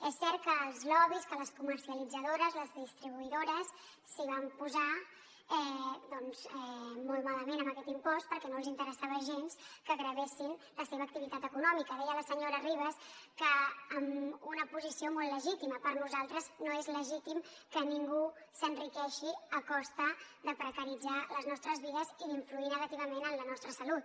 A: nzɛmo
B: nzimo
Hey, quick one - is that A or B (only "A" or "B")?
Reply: A